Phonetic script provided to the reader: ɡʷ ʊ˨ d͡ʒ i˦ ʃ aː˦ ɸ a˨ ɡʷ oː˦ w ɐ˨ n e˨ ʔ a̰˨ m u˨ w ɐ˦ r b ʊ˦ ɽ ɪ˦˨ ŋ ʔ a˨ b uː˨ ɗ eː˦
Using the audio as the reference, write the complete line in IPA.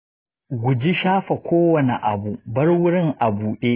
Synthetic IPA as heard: ɡʷ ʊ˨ d͡ʒ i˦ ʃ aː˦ ɸ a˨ kʷ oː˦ w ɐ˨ n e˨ ʔ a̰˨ b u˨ b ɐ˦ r w ʊ˦ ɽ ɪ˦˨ ŋ ʔ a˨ b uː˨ ɗ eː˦